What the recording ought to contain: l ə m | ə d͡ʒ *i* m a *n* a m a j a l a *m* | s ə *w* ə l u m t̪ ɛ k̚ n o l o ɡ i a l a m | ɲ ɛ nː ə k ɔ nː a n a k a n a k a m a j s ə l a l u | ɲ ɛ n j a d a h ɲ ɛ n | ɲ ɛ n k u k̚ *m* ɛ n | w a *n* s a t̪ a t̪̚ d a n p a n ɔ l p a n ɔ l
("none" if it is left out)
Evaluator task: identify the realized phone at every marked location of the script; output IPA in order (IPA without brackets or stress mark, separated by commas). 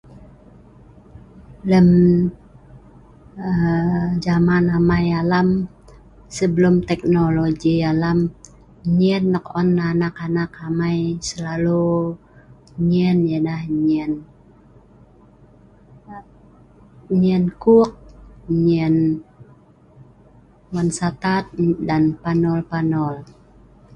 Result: a, n, m, b, ɲ, n